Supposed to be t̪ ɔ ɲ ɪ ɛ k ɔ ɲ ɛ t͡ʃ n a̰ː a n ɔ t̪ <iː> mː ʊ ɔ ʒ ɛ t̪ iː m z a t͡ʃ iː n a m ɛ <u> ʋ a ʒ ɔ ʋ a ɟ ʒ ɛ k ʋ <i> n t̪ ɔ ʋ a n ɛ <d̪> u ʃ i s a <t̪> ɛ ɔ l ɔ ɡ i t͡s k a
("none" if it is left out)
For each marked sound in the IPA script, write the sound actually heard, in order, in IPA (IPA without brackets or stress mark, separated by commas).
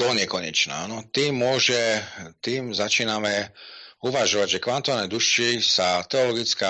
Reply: iː, u, a, d̪, t̪